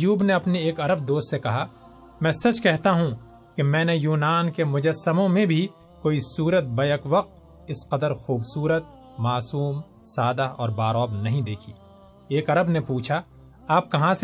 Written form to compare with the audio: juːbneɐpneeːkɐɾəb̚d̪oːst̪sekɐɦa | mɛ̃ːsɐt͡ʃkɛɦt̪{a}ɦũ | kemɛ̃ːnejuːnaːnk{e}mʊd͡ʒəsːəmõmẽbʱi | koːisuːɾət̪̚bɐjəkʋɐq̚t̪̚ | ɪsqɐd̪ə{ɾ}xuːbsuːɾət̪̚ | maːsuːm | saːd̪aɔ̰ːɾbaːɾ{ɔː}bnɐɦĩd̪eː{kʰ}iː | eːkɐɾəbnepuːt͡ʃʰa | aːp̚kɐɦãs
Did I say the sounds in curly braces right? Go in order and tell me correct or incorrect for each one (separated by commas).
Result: correct, correct, correct, correct, correct